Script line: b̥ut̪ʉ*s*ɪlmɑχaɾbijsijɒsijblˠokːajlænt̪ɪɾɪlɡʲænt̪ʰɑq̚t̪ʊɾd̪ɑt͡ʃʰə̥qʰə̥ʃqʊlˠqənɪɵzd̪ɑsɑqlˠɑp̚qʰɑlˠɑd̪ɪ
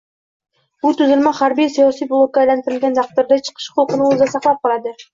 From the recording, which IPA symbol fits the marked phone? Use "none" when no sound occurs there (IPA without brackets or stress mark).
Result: z